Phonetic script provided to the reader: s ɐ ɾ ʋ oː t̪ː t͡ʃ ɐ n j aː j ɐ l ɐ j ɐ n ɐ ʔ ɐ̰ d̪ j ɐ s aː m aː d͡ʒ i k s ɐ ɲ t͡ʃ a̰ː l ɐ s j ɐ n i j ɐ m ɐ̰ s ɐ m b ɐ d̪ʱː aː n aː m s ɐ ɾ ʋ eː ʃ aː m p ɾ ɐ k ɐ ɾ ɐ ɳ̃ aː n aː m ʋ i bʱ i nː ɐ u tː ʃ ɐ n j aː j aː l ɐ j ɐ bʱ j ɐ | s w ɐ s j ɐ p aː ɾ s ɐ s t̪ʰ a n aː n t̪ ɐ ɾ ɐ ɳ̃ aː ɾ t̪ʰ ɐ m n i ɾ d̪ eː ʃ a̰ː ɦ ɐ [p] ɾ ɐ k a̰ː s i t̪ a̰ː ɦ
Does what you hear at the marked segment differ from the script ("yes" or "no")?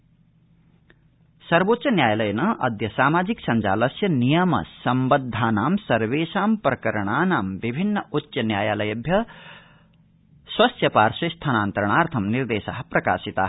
no